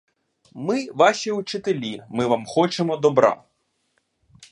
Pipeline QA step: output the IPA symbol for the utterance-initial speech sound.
m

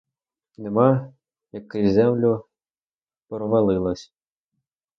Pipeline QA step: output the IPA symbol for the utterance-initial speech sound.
n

